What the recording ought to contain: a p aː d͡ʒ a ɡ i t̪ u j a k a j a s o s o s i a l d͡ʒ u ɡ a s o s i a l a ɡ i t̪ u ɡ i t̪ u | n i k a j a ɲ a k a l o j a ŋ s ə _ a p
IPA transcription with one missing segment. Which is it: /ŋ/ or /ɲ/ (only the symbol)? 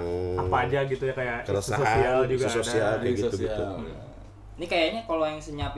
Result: ɲ